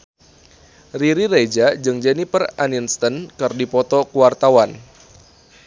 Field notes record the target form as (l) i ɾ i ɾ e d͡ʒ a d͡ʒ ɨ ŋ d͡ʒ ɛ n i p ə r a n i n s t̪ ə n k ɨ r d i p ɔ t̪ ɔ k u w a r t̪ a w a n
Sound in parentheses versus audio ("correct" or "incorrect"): incorrect